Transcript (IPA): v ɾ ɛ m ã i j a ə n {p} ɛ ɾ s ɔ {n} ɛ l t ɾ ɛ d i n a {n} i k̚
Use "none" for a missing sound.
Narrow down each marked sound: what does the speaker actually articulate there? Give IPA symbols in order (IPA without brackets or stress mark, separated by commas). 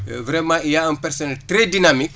p, n, m